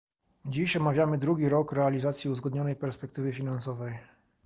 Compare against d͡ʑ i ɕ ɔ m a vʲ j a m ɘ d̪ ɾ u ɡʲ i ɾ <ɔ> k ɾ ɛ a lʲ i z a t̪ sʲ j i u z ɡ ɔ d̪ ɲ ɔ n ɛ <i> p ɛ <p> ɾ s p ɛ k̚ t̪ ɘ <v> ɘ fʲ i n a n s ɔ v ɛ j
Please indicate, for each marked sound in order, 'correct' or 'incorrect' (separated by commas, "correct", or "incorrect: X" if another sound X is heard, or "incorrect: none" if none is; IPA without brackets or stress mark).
correct, incorrect: j, incorrect: none, correct